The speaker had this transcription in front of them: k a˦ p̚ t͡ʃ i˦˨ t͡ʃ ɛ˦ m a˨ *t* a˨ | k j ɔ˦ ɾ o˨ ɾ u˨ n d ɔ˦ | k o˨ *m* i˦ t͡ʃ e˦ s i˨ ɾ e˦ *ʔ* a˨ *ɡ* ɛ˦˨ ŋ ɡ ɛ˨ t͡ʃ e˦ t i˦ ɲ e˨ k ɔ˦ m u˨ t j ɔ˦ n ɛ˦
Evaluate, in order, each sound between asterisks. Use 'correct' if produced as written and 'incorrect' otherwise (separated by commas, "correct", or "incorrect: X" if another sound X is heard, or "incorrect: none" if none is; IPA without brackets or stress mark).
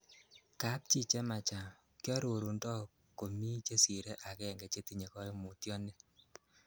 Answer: incorrect: t͡ʃ, correct, correct, incorrect: k